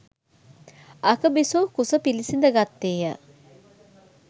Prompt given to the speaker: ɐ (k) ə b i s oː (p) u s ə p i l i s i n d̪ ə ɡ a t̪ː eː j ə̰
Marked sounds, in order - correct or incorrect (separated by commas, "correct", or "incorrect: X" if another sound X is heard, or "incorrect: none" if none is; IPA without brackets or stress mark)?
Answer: correct, incorrect: k